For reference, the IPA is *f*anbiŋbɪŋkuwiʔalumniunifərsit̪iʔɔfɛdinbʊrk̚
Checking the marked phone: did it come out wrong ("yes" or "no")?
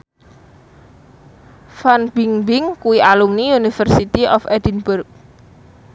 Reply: no